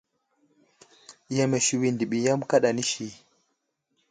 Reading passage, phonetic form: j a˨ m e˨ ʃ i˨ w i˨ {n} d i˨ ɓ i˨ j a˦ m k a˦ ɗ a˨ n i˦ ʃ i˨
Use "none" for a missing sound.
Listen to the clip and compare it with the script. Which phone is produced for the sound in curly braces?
n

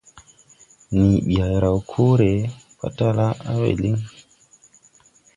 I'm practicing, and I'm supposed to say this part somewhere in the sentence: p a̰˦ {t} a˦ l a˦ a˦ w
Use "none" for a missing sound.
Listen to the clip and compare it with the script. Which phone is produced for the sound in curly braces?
t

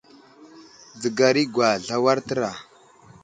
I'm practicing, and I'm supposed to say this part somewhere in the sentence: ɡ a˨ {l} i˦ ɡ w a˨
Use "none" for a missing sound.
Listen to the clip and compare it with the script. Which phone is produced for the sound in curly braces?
ɾ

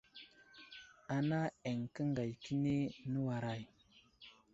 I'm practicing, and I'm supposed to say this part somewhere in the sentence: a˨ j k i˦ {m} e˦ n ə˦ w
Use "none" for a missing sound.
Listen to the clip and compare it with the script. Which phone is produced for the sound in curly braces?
n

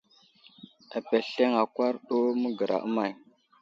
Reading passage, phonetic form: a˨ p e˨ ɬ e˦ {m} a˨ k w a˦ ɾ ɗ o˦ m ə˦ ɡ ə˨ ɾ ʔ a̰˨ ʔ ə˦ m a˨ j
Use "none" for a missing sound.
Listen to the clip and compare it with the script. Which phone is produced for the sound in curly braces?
ŋ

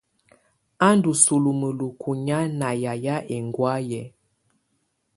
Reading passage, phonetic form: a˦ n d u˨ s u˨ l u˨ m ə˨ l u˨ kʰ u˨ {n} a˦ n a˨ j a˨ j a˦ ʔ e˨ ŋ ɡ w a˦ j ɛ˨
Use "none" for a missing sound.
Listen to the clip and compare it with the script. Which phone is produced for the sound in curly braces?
ɲ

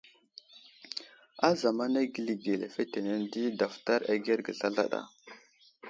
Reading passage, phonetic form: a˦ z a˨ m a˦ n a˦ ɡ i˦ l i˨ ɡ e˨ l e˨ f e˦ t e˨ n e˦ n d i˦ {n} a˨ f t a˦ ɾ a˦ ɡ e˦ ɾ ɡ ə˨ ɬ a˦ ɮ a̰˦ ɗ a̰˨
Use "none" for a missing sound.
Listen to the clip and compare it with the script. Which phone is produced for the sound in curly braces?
d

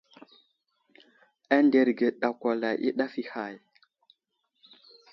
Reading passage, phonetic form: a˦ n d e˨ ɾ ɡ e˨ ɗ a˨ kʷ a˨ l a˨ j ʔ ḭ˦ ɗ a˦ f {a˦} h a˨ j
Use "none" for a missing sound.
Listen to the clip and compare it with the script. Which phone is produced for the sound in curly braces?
i˦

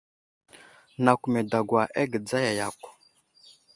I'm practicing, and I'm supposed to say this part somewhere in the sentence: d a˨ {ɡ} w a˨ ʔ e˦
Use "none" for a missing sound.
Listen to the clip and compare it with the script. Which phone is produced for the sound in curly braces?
ɡ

